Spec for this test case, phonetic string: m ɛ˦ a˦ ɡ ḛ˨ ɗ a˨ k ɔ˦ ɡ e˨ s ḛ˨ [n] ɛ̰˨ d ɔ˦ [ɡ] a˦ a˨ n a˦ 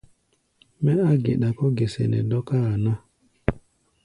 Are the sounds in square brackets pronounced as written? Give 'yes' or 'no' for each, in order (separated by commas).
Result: yes, no